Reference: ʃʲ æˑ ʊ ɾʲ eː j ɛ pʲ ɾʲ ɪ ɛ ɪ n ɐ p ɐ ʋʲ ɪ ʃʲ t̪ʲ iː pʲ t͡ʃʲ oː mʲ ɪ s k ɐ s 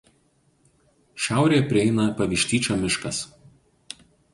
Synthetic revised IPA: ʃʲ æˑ ʊ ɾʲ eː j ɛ pʲ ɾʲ ɪ ɛ ɪ n ɐ p ɐ ʋʲ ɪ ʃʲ t̪ʲ iː t͡ʃʲ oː mʲ ɪ ʃ k ɐ s